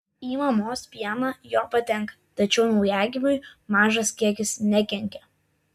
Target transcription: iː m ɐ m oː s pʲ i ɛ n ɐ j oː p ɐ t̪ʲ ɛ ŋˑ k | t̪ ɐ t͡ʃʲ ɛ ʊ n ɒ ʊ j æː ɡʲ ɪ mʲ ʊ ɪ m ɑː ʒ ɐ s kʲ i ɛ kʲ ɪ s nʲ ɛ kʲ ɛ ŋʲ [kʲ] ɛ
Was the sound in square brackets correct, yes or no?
yes